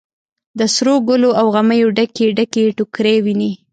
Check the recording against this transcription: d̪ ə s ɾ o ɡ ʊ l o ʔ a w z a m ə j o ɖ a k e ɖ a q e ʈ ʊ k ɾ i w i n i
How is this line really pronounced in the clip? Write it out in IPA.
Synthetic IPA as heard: d̪ ə s ɾ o ɡ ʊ l o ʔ a w ɣ a m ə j o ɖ a k e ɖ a k e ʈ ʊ k ɾ e w i n i